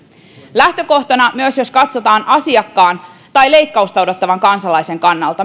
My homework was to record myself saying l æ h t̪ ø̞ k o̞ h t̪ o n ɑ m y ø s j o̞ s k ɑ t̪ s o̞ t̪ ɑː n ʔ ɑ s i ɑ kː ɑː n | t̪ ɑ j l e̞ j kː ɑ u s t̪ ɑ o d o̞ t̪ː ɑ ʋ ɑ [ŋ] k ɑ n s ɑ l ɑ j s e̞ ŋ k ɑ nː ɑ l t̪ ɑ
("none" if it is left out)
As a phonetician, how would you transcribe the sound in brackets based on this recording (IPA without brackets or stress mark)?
ŋ